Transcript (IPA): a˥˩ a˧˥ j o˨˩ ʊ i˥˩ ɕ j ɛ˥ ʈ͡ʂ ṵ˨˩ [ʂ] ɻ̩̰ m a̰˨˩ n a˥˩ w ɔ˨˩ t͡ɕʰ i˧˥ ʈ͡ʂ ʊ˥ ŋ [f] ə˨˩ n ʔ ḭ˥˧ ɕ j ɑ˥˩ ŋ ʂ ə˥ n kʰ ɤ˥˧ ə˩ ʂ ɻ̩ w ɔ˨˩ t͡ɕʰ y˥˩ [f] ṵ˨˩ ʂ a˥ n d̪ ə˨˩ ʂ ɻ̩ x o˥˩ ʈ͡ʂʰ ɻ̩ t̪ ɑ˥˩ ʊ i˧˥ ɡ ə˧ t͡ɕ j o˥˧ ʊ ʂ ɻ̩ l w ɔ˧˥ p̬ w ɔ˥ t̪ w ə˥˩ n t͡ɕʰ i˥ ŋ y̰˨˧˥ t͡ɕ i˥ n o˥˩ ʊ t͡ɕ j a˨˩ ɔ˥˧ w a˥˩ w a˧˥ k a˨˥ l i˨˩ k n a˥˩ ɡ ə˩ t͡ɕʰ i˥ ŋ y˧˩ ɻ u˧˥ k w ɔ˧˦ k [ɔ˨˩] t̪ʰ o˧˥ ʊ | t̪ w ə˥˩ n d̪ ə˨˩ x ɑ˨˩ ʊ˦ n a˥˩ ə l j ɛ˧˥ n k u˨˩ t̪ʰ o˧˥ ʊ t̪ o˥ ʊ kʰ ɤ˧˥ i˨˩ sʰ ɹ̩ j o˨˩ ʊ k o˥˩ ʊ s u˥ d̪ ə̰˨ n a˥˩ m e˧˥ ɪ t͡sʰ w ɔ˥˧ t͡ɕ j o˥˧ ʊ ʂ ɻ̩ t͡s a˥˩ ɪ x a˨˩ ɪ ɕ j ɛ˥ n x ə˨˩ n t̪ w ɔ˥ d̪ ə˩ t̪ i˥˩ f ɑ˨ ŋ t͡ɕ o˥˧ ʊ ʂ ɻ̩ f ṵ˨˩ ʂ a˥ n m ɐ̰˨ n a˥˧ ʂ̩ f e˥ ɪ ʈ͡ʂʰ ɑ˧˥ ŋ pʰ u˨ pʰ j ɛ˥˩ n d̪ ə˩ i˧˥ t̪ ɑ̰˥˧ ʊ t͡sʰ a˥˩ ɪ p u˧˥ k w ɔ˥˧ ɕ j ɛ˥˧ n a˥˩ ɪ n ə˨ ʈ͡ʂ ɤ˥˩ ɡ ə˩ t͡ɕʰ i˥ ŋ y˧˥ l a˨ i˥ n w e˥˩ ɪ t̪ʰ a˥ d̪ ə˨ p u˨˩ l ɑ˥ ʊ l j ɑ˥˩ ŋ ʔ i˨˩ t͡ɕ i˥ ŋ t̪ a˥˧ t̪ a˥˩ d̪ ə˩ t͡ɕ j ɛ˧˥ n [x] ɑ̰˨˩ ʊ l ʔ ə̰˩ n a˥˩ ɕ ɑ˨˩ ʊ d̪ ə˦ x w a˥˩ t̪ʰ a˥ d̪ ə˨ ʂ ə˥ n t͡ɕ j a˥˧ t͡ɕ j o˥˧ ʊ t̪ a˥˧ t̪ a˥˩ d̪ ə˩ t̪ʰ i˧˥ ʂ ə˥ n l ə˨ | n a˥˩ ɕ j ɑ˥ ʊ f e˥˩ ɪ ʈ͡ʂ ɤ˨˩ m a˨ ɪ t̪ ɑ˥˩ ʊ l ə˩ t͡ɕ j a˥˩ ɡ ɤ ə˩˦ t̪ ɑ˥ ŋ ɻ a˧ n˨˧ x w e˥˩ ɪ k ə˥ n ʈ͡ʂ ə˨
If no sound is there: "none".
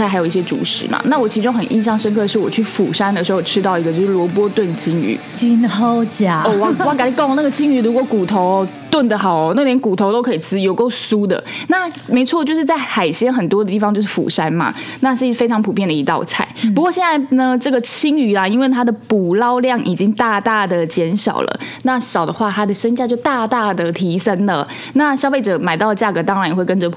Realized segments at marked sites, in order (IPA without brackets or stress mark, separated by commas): ʂ, x, f, u˨˩, ʂ